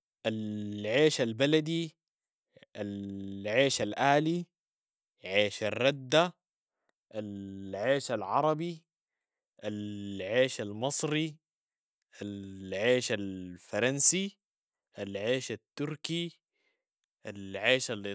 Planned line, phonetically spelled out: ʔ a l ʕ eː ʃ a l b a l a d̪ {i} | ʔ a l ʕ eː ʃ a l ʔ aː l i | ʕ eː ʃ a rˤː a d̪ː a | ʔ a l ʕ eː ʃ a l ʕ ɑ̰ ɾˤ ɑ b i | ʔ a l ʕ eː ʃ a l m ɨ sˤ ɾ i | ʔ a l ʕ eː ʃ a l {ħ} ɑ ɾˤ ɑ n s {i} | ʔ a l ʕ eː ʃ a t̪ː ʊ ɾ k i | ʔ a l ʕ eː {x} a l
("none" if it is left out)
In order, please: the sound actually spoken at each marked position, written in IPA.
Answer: i, f, i, ʃ

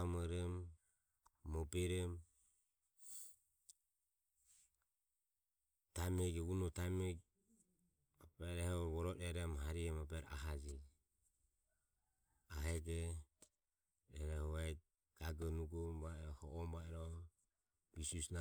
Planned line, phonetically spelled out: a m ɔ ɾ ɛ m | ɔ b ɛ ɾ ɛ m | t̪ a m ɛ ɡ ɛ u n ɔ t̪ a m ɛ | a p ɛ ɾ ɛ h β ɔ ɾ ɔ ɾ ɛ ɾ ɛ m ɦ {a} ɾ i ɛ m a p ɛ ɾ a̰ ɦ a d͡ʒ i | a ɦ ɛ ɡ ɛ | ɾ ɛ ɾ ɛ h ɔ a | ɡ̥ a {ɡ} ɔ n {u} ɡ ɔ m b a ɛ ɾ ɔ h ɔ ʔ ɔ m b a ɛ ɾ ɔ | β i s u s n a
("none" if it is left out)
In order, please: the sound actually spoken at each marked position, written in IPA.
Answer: a, ɡ, u

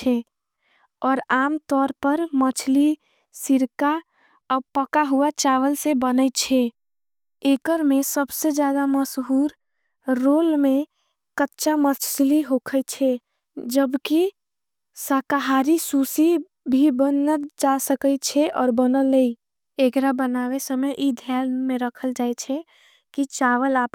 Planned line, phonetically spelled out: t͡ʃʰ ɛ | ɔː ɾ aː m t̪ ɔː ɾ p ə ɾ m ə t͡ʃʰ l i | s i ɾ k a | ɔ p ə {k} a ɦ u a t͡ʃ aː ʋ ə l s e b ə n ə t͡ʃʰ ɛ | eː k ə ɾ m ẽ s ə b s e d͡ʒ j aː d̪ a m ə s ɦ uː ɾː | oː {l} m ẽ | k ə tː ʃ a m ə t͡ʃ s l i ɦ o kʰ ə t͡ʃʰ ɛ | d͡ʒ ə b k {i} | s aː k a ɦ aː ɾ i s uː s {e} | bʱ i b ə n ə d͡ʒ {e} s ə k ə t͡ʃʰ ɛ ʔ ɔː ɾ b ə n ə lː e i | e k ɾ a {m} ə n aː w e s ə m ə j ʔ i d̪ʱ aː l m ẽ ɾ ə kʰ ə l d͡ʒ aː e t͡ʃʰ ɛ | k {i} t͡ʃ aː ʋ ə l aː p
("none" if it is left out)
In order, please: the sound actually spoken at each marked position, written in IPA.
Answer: k, l, i, i, a, b, i

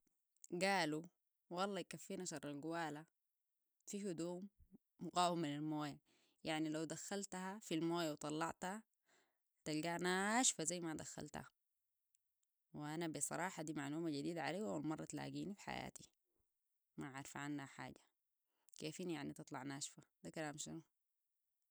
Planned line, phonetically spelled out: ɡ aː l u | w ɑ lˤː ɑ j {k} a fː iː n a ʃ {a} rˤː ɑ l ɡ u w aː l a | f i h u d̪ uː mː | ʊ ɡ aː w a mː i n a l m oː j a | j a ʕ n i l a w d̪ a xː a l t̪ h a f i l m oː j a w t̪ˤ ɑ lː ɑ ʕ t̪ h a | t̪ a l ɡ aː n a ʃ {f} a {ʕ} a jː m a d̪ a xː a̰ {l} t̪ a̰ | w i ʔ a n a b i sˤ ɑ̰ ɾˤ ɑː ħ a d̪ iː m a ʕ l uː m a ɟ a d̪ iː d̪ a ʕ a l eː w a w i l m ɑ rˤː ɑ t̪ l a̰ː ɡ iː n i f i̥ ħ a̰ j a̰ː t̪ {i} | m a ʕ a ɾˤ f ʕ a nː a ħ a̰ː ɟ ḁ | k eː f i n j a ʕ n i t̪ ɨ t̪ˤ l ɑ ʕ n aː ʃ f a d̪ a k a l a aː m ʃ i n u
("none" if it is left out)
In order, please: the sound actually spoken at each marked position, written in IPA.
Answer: k, ɑ, f, z, l, i

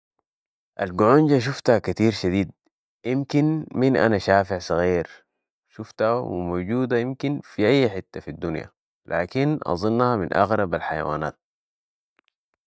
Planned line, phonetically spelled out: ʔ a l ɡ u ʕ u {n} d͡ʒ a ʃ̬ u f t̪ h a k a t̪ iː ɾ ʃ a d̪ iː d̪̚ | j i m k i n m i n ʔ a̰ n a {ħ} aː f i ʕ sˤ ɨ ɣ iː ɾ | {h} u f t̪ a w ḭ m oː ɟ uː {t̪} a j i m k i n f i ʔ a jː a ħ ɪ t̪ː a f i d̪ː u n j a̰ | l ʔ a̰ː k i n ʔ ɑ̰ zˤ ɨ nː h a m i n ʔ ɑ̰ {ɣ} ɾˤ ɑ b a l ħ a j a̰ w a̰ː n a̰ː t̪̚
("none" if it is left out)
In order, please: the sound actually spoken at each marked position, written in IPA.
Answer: n, ʃ, ʃ, d̪, ɣ

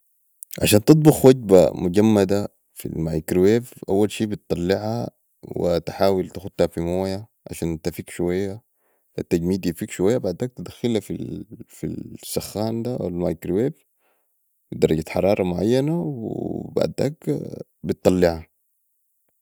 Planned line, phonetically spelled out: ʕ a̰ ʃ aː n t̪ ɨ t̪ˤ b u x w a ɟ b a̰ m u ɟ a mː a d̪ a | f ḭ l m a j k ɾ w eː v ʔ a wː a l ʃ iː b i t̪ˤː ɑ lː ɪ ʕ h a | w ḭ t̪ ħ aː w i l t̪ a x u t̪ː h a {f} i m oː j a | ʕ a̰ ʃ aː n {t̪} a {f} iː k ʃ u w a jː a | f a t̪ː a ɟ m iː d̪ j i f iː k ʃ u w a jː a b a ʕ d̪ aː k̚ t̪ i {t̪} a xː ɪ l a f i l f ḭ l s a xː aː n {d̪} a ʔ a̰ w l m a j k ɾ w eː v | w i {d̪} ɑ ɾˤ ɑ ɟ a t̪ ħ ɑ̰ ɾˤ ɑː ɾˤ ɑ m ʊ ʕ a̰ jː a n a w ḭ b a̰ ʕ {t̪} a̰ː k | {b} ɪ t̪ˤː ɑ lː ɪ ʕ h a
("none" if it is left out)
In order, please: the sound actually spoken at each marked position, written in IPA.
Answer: f, t̪, f, d̪, d̪, d̪, d̪, b

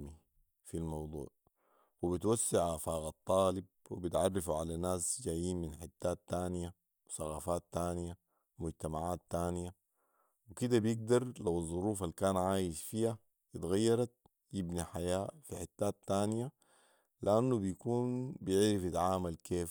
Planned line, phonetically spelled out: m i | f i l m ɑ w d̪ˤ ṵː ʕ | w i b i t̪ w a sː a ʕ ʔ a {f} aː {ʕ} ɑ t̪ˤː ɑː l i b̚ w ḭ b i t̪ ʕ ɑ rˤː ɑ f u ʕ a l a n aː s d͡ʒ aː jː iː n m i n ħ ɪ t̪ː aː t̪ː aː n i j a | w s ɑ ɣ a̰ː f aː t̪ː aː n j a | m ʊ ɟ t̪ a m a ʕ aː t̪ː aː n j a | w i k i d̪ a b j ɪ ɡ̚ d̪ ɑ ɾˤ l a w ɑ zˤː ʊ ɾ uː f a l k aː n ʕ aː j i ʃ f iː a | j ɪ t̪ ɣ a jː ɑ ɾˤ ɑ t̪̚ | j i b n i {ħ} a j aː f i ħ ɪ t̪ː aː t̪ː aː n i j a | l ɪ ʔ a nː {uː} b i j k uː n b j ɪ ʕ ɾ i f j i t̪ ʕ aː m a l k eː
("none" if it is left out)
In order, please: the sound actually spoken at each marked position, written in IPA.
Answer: f, ɣ, ħ, u

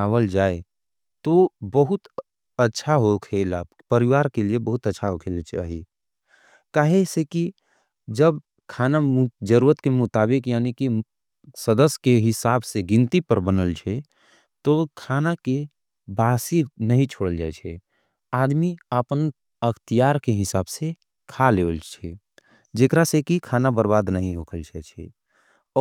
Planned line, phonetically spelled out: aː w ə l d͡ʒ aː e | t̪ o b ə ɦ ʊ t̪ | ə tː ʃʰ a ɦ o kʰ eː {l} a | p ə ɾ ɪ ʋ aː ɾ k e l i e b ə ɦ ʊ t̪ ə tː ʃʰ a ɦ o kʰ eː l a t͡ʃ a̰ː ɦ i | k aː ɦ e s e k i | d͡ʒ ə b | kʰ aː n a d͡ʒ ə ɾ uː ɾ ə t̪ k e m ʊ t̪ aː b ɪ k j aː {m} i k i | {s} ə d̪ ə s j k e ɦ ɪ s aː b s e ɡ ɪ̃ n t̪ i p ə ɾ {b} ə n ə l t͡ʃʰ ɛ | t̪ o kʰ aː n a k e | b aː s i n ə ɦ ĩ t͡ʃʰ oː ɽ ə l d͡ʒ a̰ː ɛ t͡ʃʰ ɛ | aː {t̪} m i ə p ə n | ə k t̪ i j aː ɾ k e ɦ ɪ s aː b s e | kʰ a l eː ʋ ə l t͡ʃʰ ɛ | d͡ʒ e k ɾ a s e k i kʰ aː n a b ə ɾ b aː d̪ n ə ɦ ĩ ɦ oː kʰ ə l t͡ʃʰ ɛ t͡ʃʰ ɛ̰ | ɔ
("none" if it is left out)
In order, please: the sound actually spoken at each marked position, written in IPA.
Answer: l, n, s, b, d̪

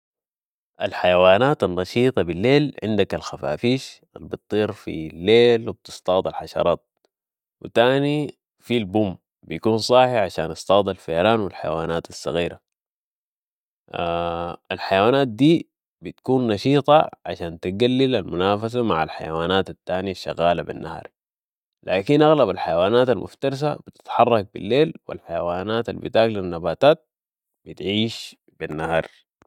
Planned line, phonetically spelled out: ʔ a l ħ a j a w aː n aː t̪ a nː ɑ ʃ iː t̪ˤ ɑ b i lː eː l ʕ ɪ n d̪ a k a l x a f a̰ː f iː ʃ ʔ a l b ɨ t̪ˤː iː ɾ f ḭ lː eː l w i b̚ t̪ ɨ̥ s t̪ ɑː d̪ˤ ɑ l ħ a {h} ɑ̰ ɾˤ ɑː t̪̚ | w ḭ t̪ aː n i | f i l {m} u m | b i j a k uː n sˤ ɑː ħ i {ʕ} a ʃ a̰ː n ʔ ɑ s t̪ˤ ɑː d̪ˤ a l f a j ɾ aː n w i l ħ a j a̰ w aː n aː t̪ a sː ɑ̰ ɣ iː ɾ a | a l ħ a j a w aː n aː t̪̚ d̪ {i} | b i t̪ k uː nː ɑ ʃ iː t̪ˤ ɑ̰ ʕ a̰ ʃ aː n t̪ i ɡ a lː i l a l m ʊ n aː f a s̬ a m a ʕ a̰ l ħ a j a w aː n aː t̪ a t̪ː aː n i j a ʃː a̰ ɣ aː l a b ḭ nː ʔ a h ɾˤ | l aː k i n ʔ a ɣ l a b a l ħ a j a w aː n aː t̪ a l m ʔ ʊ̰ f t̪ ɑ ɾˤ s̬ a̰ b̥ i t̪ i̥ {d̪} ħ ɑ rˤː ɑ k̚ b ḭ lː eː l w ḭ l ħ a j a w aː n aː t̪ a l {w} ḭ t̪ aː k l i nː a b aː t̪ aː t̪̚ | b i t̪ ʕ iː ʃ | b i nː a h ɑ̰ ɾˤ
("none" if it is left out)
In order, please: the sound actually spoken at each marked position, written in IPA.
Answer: ʃ, b, ʕ, iː, t̪, b

